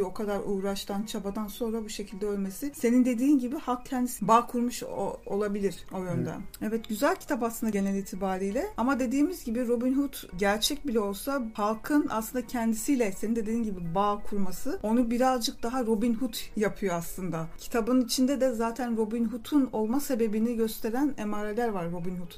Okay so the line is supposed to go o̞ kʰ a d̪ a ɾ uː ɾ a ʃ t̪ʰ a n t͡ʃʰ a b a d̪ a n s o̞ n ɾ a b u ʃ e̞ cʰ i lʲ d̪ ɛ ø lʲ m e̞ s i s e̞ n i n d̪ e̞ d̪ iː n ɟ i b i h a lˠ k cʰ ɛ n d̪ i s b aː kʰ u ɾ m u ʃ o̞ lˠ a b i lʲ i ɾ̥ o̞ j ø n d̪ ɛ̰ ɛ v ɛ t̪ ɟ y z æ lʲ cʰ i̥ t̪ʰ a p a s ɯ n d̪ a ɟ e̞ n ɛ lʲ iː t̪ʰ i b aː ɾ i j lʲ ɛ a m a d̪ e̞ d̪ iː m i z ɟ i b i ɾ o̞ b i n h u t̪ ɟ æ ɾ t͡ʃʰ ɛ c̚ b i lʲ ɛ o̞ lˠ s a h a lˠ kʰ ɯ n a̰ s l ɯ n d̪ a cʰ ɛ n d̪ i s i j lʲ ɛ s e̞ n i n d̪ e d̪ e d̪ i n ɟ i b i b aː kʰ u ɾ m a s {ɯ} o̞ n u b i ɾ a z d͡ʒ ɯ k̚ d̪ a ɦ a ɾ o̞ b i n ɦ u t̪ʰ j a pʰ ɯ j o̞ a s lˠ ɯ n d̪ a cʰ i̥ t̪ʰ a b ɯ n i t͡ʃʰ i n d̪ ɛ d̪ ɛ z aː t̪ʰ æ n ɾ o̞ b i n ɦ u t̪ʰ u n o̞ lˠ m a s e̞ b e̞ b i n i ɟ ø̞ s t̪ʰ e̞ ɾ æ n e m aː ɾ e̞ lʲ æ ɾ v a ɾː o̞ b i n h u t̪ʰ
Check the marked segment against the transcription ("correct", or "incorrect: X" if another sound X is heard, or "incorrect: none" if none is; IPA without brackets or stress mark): correct